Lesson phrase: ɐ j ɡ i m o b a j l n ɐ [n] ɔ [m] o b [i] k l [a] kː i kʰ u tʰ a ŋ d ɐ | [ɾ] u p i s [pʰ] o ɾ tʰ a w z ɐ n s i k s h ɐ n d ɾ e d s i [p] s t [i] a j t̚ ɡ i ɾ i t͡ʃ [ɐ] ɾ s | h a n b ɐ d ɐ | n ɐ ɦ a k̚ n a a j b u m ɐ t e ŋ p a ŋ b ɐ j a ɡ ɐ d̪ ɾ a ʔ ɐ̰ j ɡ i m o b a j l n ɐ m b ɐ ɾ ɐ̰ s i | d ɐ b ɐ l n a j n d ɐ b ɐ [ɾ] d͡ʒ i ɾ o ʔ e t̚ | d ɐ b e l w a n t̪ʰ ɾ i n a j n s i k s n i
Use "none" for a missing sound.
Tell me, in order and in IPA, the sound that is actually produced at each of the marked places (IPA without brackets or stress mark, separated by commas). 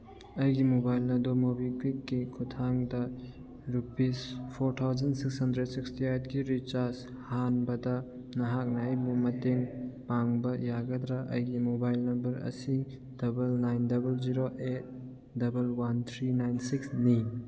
d, m, i, i, ɾ, pʰ, k, i, a, l